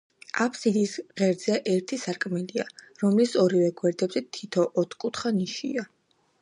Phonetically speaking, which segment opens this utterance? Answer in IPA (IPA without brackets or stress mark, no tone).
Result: a